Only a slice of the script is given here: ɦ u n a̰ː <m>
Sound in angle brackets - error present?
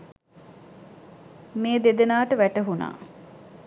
yes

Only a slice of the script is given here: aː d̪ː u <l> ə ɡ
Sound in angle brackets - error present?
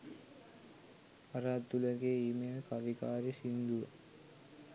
no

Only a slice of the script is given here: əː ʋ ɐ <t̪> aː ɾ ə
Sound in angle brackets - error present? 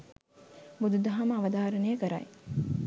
yes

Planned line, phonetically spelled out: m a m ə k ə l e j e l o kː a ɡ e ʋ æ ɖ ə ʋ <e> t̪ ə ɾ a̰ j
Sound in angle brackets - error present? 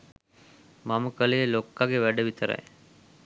yes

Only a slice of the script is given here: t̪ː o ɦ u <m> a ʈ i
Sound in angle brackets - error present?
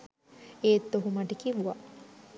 no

